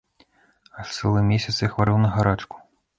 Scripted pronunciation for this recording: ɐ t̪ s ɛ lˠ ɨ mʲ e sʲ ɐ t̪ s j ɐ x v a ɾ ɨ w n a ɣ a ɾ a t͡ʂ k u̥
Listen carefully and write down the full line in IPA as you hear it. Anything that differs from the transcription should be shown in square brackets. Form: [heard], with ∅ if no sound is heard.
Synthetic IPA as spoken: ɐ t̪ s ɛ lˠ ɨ mʲ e sʲ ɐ t̪ s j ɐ x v a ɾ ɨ w n [ɐ] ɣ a ɾ a t͡ʂ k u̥

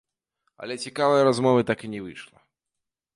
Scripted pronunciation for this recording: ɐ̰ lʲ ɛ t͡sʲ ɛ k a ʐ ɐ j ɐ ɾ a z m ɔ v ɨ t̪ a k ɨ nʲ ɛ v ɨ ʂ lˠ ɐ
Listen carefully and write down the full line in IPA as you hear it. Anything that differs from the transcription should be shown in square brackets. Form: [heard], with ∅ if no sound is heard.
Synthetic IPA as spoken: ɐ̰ lʲ ɛ t͡sʲ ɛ k a [v] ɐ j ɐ ɾ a z m ɔ v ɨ t̪ a k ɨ nʲ ɛ v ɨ ʂ lˠ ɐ

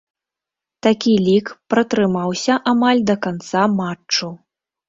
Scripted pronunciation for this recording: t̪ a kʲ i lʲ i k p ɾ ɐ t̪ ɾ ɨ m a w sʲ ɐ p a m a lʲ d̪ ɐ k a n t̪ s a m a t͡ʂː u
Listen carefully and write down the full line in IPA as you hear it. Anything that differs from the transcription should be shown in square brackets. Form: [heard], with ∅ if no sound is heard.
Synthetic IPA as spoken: t̪ a kʲ i lʲ i k p ɾ ɐ t̪ ɾ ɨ m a w sʲ ɐ [ʔ] a m a lʲ d̪ ɐ k a n t̪ s a m a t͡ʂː u

